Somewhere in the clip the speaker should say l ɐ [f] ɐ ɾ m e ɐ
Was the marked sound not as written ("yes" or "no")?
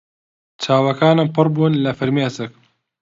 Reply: no